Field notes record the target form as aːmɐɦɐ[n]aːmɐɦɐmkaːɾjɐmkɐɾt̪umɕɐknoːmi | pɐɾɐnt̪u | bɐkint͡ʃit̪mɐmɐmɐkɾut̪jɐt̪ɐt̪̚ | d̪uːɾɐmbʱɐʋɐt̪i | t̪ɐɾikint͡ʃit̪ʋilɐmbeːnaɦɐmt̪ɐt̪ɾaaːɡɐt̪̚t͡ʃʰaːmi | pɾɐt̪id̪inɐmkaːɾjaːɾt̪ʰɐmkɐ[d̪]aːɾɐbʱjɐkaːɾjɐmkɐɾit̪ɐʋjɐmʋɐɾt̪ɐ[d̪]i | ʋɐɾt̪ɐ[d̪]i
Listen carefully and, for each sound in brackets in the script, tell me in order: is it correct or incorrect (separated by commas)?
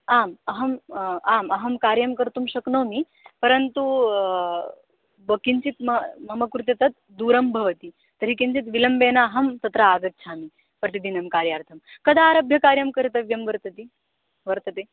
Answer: incorrect, correct, incorrect, incorrect